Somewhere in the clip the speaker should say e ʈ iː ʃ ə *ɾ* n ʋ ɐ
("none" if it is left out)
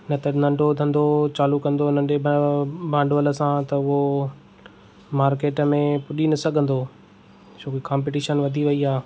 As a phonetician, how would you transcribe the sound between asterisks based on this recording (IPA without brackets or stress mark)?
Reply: none